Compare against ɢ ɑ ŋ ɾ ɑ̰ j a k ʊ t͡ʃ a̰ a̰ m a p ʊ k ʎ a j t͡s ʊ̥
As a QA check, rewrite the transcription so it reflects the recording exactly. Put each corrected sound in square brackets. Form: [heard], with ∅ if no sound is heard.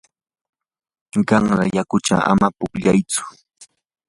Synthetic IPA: ɢ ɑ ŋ ɾ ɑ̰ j a k ʊ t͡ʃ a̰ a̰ m a p ʊ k ʎ a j t͡s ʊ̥

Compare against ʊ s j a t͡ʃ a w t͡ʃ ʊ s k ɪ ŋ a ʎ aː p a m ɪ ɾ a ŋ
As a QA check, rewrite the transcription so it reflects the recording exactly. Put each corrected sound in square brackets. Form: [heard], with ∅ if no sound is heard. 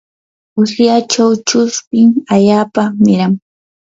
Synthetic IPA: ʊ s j a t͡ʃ a w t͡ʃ ʊ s [p] ɪ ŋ a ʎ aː p a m ɪ ɾ a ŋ

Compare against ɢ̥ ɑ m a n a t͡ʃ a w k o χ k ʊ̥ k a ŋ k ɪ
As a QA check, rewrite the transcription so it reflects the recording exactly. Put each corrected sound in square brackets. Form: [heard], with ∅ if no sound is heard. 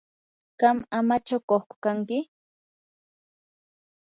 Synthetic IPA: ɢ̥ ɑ m a [m] a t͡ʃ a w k o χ k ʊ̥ k a ŋ k ɪ

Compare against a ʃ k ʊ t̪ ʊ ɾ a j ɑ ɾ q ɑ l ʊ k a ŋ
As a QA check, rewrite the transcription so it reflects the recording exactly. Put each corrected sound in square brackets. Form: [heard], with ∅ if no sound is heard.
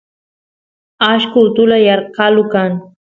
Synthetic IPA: a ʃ k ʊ t̪ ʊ [l] a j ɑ ɾ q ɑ l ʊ k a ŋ

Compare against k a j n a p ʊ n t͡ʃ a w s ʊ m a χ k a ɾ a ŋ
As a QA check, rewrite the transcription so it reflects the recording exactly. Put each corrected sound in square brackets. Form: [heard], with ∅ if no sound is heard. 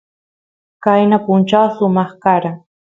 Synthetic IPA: k a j n a p ʊ n t͡ʃ a w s ʊ m [ɑ] χ k a ɾ a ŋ

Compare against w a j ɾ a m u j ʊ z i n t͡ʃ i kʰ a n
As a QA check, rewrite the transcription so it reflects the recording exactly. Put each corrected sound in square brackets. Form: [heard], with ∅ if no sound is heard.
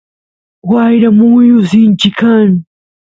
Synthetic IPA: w a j ɾ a m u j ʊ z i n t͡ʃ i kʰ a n

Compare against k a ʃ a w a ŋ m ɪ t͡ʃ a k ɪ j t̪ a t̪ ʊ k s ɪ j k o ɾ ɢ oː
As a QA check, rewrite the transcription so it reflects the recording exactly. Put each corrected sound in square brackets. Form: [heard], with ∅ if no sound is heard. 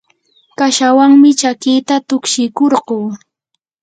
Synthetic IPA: k a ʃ a w a ŋ m ɪ t͡ʃ a k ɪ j t̪ a t̪ ʊ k [ʃ] ɪ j k o ɾ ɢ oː

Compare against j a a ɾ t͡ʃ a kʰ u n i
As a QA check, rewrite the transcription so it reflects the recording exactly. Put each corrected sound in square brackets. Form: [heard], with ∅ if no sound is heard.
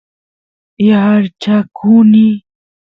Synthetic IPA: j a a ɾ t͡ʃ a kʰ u n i

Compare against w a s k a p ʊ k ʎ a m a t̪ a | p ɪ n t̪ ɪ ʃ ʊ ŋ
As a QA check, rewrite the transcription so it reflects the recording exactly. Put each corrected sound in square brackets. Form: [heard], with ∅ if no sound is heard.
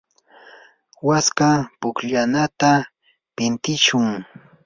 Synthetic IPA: w a s k a p ʊ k ʎ a [n] a t̪ a | p ɪ n t̪ ɪ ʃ ʊ ŋ

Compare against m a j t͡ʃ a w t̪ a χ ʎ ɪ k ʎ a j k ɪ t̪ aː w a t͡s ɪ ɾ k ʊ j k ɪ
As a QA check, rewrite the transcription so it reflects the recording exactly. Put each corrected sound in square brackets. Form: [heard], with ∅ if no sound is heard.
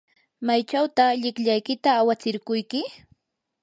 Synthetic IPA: m a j t͡ʃ a w t̪ a χ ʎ ɪ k ʎ a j k ɪ t̪ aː w a t͡s ɪ ɾ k ʊ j k ɪ

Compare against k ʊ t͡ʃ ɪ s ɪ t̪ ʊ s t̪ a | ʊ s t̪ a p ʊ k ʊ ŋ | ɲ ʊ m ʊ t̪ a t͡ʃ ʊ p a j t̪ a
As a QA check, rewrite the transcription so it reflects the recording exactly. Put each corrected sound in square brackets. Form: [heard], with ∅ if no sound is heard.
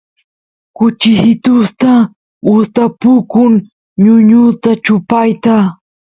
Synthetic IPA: k ʊ t͡ʃ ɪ s ɪ t̪ ʊ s t̪ a | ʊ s t̪ a p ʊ k ʊ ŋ | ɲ ʊ [ɲ] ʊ t̪ a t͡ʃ ʊ p a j t̪ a

